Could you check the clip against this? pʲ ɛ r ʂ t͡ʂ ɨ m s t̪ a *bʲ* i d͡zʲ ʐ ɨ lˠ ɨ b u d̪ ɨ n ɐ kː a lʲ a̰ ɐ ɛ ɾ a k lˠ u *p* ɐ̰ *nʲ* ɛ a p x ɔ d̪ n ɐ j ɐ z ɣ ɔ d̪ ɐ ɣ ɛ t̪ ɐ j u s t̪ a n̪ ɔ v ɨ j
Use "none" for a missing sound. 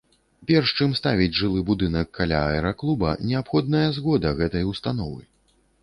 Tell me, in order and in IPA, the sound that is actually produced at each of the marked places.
vʲ, b, nʲ

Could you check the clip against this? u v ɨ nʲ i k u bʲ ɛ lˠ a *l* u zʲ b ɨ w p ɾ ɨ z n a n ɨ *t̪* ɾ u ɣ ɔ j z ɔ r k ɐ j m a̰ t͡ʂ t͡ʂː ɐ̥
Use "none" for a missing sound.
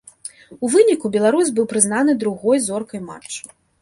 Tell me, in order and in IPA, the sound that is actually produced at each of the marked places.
ɾ, d̪

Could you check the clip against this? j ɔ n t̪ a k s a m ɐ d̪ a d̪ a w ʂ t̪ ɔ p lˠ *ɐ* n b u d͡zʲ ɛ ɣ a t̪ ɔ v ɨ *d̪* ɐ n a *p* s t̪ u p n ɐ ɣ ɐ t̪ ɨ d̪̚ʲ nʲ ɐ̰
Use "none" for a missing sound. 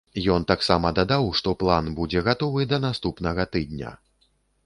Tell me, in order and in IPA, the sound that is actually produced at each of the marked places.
a, d̪, none

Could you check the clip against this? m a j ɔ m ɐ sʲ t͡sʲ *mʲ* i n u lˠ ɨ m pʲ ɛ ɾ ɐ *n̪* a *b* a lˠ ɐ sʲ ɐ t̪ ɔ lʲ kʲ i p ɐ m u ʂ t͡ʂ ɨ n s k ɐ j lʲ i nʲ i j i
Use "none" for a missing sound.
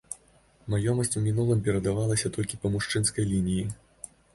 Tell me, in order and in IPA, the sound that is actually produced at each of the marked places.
mʲ, d̪, v

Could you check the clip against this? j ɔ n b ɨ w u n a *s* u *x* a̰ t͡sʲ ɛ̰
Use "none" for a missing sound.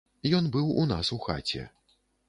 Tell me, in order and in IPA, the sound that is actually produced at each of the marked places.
s, x

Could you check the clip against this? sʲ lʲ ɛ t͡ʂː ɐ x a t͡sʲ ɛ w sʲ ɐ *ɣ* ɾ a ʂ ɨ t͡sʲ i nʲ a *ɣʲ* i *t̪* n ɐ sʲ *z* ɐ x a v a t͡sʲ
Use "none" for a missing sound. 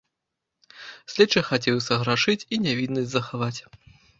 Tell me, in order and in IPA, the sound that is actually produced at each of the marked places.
ɣ, vʲ, d̪, z

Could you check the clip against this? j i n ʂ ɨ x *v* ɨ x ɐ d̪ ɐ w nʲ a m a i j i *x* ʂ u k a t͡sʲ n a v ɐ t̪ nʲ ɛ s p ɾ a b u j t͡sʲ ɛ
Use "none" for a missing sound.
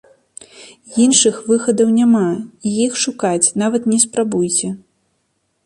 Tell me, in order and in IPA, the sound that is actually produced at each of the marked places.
v, x

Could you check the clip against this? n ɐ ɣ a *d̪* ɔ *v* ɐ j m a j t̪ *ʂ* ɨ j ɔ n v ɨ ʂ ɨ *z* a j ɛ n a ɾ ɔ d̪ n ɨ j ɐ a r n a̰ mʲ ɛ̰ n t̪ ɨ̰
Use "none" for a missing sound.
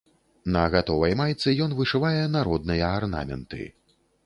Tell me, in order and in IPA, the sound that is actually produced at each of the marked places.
t̪, v, s, v

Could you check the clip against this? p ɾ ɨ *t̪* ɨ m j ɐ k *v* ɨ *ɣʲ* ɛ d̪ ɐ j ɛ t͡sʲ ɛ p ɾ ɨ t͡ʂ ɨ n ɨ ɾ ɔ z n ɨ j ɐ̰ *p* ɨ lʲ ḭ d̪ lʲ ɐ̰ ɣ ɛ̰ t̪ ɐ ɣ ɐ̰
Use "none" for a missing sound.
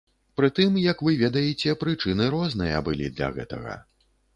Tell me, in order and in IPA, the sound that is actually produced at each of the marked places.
t̪, v, vʲ, b

